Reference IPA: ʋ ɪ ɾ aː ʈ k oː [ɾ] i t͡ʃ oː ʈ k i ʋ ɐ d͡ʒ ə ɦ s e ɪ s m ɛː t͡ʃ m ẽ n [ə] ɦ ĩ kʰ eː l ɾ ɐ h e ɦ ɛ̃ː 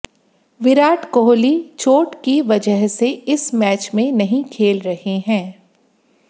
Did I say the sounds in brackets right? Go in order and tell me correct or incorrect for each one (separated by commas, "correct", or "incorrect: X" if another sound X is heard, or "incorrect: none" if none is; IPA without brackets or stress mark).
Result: incorrect: l, incorrect: ɐ